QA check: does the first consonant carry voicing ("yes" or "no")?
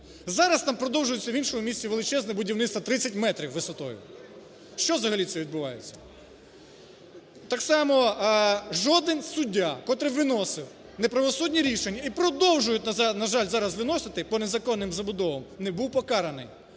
yes